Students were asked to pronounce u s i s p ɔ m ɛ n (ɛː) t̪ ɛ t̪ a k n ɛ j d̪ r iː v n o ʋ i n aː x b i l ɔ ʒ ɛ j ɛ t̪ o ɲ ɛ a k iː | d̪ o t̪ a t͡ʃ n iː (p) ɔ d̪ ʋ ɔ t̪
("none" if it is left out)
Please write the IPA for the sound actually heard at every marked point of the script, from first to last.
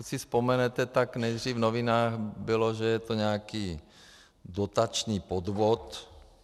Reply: ɛ, p

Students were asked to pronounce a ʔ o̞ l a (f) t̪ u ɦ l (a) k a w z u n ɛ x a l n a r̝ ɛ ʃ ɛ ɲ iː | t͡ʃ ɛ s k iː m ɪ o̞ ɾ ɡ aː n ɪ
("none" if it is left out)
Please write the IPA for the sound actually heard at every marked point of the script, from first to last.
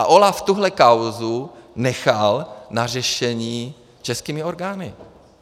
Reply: f, ɛ

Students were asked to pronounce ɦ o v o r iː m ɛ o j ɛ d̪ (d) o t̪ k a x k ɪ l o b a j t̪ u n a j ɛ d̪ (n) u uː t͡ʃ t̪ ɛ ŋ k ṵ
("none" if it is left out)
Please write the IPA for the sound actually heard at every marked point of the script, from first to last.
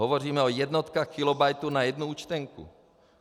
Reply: n, n

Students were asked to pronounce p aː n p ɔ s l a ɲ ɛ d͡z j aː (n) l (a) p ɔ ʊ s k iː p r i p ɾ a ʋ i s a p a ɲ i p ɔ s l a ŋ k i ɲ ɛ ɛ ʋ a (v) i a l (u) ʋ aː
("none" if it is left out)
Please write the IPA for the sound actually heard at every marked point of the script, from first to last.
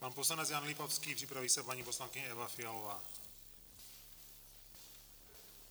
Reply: n, i, f, ɔ

